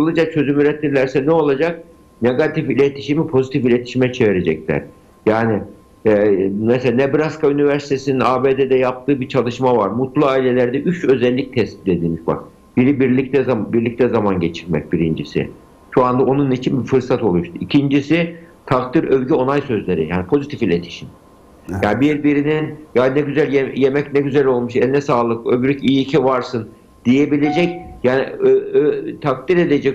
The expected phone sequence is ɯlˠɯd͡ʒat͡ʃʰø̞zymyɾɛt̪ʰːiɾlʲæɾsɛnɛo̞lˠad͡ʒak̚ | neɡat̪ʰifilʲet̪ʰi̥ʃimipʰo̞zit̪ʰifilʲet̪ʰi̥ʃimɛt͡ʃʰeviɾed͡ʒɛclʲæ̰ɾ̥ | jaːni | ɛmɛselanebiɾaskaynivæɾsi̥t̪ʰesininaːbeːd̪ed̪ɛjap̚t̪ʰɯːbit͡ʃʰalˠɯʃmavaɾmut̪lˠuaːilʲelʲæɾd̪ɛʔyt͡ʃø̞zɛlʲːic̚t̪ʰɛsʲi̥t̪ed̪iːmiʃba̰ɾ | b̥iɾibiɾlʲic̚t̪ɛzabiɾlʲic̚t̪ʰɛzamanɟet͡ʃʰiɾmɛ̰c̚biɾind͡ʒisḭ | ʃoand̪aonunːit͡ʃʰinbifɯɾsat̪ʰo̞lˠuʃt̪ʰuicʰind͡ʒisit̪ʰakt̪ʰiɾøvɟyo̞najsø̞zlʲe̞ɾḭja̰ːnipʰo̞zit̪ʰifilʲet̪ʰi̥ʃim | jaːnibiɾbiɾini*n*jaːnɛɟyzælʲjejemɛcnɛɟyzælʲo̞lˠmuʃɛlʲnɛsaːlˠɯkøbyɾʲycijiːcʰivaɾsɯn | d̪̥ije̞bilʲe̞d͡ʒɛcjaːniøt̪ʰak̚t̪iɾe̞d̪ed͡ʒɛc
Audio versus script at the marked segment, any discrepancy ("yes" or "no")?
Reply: no